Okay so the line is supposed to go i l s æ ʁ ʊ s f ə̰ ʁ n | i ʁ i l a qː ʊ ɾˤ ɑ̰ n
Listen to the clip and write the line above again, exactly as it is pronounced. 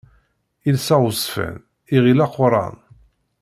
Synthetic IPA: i l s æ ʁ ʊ s f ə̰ n | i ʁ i l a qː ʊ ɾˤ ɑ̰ n